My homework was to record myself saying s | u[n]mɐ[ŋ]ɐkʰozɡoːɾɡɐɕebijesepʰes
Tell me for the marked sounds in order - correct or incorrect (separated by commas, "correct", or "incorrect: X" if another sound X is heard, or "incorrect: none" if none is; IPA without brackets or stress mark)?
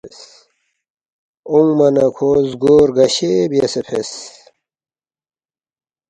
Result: incorrect: ŋ, incorrect: n